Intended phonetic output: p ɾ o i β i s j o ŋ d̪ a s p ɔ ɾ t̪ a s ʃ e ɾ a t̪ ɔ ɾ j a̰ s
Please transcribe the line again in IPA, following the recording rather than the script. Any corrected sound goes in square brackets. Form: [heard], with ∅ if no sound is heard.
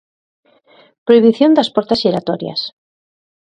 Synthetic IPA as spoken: p ɾ o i β i [θ] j o [n] d̪ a s p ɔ ɾ t̪ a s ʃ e ɾ a t̪ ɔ ɾ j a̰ s